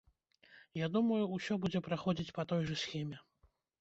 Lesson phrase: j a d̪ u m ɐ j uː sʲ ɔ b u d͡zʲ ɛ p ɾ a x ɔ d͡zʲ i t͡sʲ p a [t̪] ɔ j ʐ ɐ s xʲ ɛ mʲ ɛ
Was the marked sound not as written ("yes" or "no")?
no